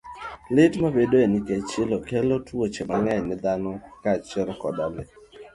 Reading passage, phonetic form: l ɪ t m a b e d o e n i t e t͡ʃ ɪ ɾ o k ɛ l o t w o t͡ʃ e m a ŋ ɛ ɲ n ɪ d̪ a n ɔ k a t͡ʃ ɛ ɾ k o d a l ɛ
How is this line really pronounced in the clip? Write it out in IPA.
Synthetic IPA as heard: l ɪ t m a b e d o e n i k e t͡ʃ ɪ l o k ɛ l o t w o t͡ʃ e m a ŋ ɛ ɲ n ɪ d̪ a n ɔ k a t͡ʃ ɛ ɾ k ɔ d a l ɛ